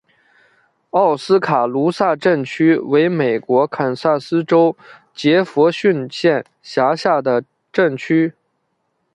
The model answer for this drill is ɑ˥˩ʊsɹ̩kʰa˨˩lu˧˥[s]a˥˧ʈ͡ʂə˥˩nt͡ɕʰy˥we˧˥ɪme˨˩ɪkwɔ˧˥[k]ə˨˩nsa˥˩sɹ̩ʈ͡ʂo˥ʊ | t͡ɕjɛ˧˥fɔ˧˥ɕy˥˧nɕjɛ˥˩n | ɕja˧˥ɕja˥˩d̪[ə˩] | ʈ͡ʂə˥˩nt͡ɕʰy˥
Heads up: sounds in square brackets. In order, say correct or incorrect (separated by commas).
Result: correct, incorrect, correct